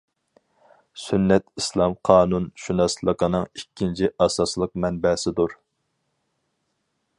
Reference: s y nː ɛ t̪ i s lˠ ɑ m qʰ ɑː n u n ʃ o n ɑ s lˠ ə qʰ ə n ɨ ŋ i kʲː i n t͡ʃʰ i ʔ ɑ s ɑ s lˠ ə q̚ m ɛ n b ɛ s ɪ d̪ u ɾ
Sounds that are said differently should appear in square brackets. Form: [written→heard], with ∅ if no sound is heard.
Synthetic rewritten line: s y nː ɛ t̪ i s lˠ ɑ m qʰ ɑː n u n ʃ [o→u] n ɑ s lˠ ə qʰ ə n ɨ ŋ i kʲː i n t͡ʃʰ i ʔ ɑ s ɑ s lˠ ə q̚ m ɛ n b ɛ s ɪ d̪ u ɾ